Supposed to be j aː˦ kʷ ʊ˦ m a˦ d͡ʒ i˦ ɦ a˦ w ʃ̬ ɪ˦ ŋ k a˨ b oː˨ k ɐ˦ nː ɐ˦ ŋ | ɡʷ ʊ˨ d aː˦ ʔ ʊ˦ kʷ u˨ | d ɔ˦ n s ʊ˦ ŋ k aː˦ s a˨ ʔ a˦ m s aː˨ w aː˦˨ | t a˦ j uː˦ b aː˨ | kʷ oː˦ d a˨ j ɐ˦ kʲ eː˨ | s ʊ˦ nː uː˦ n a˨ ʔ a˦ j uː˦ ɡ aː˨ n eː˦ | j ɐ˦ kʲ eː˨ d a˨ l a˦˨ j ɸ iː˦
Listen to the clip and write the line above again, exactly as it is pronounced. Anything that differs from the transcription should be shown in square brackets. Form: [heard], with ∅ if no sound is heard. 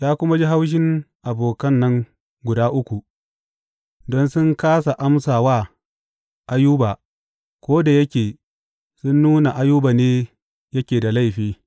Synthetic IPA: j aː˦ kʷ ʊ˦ m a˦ d͡ʒ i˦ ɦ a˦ w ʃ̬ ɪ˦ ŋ [ʔ] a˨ b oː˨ k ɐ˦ nː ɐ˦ ŋ | ɡʷ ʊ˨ d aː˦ ʔ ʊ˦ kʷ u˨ | d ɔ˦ n s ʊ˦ ŋ k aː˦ s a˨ ʔ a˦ m s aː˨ w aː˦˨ | [ʔ] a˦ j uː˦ b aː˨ | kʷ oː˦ d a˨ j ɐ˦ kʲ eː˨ | s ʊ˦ nː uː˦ n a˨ ʔ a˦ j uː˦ [b] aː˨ n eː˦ | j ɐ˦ kʲ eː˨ d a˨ l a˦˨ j ɸ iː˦